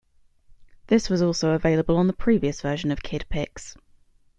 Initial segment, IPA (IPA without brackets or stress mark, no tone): ð